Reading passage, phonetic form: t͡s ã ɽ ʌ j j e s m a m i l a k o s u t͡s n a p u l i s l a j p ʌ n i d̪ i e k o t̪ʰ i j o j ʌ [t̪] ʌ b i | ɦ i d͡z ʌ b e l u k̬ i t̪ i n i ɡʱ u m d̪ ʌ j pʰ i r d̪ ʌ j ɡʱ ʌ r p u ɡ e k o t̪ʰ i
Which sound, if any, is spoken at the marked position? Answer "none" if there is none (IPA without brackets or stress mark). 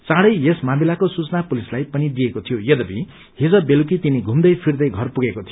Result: d̪